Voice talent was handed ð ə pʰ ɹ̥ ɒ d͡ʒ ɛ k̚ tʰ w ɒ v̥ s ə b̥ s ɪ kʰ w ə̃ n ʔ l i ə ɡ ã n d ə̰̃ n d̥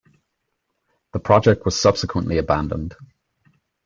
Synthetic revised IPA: ð ə pʰ ɹ̥ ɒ d͡ʒ ɛ k̚ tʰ w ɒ z̥ s ʌ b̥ s ɪ kʰ w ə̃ n ʔ l i ə b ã n d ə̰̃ n d̥